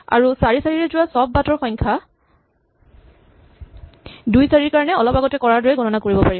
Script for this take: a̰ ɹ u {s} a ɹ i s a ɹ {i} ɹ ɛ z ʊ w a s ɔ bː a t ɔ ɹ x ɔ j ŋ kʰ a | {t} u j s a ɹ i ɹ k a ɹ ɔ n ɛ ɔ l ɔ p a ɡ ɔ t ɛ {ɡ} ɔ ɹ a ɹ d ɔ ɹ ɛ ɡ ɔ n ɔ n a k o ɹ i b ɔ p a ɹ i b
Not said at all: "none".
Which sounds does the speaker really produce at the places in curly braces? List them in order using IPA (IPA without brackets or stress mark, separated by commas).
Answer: s, i, d, k